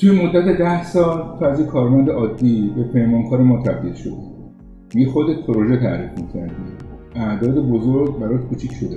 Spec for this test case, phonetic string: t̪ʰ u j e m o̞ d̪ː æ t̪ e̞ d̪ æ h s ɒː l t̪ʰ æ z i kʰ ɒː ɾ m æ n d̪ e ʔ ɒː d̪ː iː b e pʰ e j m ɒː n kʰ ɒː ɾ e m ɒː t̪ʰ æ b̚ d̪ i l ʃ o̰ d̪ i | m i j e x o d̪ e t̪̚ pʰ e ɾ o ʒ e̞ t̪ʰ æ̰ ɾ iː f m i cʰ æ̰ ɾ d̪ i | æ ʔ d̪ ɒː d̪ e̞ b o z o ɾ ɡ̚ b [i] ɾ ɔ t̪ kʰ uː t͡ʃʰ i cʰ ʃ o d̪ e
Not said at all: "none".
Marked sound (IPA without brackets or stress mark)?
æ